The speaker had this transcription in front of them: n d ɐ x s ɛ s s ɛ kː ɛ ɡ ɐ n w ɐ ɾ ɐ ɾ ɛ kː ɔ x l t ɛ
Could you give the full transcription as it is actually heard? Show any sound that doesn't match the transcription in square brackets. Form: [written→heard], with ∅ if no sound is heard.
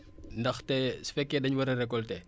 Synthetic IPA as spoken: n d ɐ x [s→t] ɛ s [s→f] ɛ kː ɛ [ɡ→d] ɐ [n→ɲ] w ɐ ɾ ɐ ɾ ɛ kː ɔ [x→∅] l t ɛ